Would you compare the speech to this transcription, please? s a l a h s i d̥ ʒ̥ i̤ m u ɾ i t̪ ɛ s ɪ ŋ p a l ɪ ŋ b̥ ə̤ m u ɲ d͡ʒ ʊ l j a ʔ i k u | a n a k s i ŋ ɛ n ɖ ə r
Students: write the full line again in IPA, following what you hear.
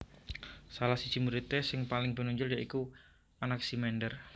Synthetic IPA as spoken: s a l a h s i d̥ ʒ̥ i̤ m u ɾ i t̪ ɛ s ɪ ŋ p a l ɪ ŋ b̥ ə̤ n u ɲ d͡ʒ ʊ l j a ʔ i k u | a n a k s i m ɛ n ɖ ə r